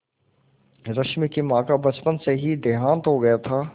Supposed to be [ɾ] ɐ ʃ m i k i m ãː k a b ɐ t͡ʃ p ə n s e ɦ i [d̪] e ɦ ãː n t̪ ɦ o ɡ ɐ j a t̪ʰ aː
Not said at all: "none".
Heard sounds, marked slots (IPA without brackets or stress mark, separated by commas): ɾ, d̪